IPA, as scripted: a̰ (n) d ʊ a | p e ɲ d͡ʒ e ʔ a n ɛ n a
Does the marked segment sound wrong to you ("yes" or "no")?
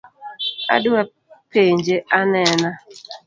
yes